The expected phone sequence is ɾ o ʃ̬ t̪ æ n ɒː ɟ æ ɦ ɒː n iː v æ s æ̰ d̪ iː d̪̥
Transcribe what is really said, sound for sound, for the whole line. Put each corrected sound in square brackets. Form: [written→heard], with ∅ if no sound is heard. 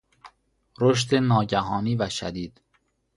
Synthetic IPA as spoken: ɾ o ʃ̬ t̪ [æ→e] n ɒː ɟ æ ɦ ɒː n iː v æ [s→ʃ] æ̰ d̪ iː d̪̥